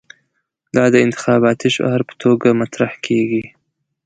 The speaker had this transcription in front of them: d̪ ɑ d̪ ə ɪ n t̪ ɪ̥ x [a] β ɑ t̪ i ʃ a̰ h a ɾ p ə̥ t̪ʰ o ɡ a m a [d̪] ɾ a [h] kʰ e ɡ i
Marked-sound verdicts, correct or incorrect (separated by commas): incorrect, incorrect, correct